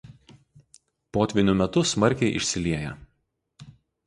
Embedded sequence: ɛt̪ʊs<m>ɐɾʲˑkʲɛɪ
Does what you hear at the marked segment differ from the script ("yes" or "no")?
no